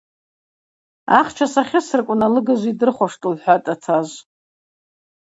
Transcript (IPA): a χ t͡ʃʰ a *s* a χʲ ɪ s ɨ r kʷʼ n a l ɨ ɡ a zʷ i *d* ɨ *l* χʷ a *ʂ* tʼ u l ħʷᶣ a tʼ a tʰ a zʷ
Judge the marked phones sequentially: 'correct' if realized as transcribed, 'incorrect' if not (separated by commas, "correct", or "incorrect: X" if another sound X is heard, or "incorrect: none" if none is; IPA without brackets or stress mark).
correct, correct, incorrect: r, correct